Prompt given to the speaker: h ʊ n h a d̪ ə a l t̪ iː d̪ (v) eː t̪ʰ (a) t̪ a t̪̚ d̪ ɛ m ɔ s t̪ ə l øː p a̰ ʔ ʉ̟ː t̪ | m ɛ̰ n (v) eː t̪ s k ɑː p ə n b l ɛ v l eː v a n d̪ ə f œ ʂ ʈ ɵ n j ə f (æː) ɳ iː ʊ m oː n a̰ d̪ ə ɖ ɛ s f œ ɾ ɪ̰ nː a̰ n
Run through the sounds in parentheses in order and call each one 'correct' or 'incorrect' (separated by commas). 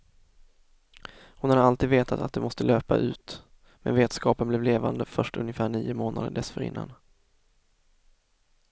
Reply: correct, correct, correct, correct